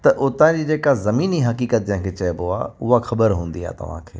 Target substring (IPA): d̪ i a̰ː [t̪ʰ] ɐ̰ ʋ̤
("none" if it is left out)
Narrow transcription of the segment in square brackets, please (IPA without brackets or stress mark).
t̪